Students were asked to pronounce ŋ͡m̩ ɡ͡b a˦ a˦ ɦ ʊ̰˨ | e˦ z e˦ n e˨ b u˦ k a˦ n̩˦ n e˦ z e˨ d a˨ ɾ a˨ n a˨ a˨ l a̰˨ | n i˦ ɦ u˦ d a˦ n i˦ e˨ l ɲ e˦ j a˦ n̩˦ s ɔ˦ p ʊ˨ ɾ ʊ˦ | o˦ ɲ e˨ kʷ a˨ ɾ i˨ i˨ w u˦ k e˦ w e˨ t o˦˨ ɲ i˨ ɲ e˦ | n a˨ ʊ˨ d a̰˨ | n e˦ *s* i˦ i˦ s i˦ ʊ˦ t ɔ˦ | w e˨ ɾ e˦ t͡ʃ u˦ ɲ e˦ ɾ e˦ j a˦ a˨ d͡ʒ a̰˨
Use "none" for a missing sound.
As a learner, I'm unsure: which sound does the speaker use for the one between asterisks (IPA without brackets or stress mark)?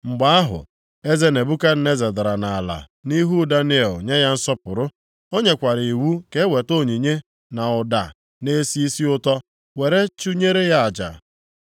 s